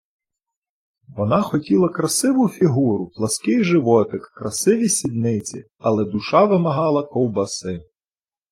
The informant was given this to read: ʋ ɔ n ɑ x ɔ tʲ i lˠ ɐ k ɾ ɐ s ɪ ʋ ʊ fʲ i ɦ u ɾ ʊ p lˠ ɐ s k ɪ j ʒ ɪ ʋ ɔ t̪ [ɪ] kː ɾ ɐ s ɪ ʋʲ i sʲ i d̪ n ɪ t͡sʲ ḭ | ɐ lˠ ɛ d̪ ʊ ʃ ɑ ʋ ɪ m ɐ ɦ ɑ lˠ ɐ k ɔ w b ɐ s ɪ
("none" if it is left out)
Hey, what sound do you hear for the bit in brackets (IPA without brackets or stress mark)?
ɪ